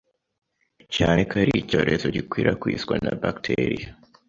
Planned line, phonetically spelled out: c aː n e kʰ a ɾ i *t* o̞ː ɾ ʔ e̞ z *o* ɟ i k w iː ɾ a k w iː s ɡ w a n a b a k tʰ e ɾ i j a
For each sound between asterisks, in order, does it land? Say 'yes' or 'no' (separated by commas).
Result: no, yes